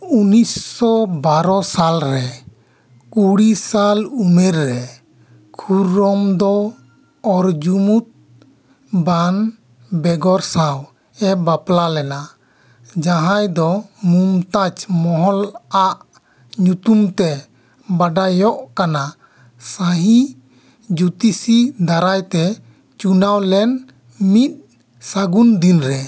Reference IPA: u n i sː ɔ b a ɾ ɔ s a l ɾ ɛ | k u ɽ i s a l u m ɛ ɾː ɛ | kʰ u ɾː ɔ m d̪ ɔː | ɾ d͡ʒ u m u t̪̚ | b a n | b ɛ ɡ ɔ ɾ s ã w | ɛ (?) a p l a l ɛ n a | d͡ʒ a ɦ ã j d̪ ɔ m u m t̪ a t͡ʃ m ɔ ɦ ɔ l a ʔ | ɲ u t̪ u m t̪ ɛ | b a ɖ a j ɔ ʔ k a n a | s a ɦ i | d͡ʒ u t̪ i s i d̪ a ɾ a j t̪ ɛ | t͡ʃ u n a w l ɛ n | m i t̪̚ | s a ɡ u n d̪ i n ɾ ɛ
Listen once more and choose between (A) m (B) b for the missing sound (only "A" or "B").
B